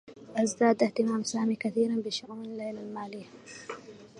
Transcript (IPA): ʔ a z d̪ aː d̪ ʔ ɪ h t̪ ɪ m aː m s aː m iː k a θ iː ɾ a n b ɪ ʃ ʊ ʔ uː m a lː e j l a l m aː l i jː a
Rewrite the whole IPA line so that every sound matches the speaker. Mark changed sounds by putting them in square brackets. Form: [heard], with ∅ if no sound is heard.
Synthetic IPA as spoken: ʔ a z d̪ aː d̪ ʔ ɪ h t̪ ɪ m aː m s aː m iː k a θ iː ɾ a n b ɪ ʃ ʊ ʔ uː [n] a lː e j l a l m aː l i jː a